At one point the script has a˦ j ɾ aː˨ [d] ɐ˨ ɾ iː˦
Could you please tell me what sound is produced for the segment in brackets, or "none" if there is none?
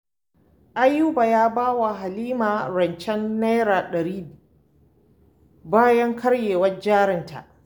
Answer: ɗ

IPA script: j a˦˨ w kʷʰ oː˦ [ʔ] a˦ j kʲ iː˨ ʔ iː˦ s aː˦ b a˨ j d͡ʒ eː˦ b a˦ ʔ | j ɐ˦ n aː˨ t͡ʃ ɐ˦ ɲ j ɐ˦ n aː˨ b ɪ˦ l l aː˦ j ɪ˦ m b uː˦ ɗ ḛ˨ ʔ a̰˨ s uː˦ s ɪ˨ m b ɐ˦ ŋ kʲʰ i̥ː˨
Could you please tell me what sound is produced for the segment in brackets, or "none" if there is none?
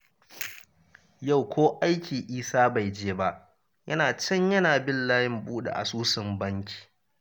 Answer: ʔ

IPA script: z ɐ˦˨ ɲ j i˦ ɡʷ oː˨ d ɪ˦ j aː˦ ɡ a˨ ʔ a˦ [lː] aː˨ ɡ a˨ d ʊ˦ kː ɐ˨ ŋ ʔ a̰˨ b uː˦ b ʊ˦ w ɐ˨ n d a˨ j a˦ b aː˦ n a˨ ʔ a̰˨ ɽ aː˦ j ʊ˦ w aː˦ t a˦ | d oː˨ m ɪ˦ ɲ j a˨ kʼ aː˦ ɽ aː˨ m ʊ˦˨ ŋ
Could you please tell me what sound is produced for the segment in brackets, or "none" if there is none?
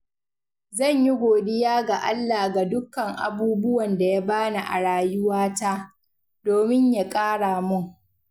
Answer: lː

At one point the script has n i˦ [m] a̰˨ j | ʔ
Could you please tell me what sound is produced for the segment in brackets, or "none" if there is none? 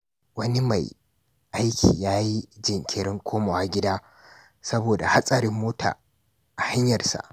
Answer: m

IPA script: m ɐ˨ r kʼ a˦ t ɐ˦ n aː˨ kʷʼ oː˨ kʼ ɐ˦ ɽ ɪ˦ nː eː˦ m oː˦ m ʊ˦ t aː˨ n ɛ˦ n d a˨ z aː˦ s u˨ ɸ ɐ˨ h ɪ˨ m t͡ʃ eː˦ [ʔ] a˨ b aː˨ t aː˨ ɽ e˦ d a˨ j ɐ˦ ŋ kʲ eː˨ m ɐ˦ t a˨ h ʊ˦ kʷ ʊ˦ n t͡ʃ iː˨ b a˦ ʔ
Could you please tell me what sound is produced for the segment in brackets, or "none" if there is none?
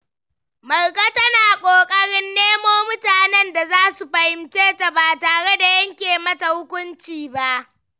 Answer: t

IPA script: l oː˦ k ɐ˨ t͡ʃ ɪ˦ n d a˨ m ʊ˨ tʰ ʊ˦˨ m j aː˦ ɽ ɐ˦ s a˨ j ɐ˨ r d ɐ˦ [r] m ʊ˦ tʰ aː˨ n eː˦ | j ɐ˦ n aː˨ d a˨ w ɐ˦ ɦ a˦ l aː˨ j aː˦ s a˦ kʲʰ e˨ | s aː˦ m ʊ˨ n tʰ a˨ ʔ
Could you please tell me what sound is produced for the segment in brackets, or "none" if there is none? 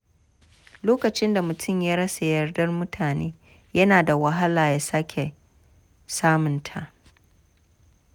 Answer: r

